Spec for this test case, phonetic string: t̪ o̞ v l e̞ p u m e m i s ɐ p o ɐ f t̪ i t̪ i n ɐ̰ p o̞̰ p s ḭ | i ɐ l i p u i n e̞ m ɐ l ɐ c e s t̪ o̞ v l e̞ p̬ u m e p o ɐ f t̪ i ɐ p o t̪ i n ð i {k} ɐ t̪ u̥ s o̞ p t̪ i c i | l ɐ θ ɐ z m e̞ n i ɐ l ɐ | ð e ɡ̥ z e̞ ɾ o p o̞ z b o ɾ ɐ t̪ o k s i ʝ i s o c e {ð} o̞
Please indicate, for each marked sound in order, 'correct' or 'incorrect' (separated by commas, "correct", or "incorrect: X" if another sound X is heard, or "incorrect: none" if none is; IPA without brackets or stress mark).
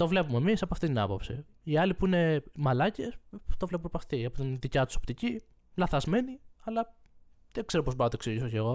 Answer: incorrect: c, incorrect: ɣ